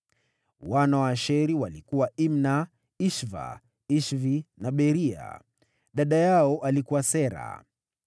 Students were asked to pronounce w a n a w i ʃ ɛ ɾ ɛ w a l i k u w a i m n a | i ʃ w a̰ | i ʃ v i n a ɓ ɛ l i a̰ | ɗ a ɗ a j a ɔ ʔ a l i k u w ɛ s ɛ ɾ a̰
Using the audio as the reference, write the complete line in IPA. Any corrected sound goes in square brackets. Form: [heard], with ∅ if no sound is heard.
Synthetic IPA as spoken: w a n a w [a] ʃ ɛ ɾ [i] w a l i k u w a i m n a | i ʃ [v] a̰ | i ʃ v i n a ɓ ɛ [ɾ] i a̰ | ɗ a ɗ a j a ɔ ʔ a l i k u w [a] s ɛ ɾ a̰